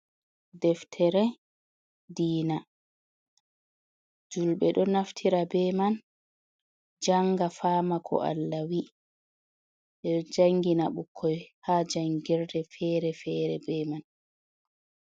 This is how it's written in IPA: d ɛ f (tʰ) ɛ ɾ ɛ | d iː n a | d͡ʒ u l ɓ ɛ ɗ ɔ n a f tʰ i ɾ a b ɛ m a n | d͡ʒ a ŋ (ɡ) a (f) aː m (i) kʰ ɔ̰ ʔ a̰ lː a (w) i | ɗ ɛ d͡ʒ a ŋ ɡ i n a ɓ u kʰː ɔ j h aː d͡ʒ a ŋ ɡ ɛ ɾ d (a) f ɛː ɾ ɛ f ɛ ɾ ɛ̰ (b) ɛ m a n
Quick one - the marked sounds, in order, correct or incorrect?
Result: correct, correct, correct, incorrect, correct, incorrect, correct

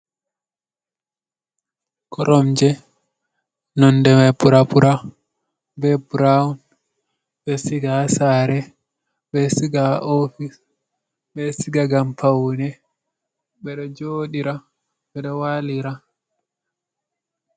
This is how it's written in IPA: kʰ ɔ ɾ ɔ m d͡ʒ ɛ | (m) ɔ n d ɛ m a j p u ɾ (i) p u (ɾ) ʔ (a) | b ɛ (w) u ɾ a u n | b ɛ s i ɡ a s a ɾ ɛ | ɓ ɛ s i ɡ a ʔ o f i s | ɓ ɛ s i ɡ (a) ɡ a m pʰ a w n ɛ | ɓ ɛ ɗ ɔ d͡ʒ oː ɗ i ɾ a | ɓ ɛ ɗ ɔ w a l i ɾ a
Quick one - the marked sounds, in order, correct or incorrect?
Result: incorrect, incorrect, correct, correct, incorrect, correct

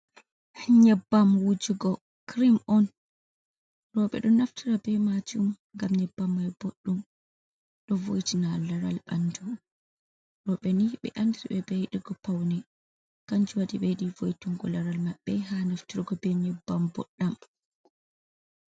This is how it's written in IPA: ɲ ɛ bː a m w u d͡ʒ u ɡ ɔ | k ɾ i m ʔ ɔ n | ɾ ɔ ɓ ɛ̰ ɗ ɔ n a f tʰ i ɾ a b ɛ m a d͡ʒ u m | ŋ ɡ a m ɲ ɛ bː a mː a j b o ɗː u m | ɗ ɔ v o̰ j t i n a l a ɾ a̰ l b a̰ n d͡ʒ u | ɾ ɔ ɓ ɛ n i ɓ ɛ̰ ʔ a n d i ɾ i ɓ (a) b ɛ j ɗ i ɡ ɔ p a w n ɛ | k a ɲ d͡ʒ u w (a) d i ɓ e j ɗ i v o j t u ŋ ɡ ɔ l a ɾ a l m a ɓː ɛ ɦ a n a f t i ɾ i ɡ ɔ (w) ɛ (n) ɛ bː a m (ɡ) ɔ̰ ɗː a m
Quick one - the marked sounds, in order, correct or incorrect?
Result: incorrect, correct, incorrect, incorrect, incorrect

